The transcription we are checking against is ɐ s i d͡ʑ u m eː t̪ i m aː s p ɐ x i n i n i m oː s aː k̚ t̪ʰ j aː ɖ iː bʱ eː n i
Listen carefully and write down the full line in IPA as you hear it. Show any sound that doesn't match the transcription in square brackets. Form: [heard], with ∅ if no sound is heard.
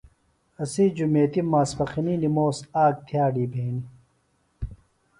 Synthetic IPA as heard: ɐ s i d͡ʑ u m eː t̪ i m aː s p ɐ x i n i n i m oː s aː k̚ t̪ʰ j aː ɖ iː bʱ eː n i